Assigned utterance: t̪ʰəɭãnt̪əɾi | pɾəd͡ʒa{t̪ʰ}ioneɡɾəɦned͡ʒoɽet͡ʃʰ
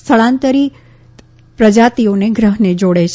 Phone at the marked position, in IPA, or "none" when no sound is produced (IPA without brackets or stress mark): t̪